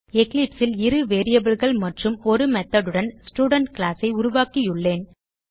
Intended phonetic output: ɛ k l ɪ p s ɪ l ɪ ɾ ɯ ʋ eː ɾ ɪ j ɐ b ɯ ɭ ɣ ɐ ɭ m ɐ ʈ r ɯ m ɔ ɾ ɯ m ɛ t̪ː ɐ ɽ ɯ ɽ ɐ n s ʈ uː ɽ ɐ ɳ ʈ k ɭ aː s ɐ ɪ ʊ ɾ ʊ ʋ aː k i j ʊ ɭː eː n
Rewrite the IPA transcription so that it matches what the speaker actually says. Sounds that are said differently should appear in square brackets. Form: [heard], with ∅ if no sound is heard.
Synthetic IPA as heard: ɛ k l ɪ p s ɪ l ɪ ɾ ɯ ʋ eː ɾ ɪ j ɐ b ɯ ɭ ɣ ɐ ɭ m ɐ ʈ r ɯ m ɔ ɾ ɯ m ɛ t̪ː ɐ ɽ ɯ ɽ ɐ n s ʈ uː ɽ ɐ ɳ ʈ k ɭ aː s ɐ ɪ ʊ ɾ ʊ ʋ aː k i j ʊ ɭː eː n